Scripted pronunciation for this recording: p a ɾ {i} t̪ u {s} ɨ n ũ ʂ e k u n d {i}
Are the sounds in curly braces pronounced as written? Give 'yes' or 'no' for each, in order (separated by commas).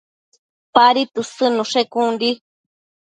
yes, yes, yes